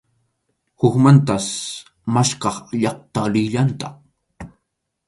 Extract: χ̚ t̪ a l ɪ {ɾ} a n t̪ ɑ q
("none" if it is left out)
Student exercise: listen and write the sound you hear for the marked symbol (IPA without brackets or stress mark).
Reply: ʎ